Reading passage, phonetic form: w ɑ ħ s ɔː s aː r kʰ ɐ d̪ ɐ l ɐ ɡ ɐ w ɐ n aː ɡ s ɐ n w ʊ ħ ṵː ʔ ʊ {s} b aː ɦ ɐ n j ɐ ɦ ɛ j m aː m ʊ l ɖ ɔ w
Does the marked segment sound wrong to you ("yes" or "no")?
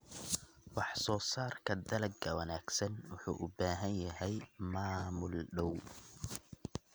yes